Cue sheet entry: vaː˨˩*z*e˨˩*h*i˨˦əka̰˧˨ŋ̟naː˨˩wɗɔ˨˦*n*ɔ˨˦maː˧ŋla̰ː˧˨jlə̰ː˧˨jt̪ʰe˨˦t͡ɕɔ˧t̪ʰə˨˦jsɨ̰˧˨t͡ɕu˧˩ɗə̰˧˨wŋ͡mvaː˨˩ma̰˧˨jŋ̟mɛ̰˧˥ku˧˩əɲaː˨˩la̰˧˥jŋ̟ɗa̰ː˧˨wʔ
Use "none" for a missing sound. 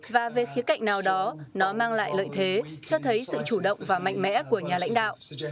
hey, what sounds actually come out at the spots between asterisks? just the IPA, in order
v, x, n

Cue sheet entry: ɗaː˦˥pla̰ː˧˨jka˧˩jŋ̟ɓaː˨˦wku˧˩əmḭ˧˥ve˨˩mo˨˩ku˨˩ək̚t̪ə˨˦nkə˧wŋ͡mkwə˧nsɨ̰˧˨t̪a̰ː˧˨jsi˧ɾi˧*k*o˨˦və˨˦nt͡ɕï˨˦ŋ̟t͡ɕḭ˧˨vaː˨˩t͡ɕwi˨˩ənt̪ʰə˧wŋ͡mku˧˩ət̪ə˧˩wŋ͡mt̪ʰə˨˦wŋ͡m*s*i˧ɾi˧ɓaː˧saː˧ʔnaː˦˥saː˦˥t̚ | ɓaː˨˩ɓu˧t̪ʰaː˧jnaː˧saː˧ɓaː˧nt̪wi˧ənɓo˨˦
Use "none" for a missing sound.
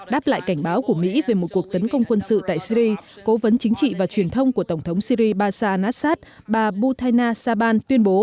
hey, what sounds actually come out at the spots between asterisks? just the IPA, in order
k, s

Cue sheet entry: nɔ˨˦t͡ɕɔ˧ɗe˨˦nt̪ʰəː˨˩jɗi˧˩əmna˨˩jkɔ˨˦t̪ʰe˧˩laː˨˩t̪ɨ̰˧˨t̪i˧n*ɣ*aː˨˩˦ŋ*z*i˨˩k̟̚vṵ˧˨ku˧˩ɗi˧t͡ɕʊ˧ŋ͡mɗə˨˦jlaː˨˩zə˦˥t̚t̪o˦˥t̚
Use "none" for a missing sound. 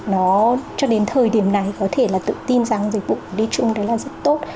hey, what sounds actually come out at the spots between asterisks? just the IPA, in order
z, z

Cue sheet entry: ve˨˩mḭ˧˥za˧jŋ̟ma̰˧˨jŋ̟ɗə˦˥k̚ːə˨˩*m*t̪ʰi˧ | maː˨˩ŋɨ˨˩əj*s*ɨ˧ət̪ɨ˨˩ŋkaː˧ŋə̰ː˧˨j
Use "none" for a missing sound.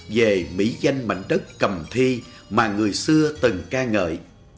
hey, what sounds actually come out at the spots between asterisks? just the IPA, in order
m, s

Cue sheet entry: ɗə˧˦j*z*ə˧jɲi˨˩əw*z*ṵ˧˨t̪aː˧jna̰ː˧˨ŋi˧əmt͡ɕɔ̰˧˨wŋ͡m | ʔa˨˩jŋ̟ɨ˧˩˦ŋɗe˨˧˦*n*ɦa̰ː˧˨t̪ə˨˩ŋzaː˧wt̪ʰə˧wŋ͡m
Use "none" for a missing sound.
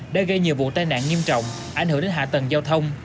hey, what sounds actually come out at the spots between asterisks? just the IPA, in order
ɣ, v, n

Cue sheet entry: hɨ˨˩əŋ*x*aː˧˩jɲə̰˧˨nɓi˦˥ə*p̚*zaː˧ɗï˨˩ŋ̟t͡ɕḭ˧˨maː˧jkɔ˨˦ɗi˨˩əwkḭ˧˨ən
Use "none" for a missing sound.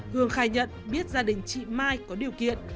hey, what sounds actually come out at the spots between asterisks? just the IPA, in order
x, t̚

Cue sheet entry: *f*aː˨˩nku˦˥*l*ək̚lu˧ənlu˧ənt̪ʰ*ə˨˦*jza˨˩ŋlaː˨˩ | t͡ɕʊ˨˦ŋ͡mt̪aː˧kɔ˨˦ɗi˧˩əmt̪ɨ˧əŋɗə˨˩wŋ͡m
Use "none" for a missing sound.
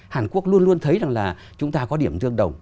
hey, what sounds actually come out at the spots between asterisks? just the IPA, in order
h, none, ə˨˦

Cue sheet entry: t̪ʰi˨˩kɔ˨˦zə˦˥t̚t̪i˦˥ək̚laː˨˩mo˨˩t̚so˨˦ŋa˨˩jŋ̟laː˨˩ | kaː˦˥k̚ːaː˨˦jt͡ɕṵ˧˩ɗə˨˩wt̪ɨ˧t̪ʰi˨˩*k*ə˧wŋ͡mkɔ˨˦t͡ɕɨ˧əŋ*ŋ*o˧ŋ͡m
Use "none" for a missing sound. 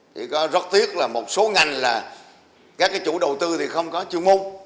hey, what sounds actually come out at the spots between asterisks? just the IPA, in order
x, m

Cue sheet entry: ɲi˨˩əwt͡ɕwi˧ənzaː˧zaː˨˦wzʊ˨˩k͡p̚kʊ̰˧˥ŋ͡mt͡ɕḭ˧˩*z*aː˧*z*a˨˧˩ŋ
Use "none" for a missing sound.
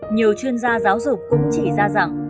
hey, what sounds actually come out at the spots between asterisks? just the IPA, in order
z, z

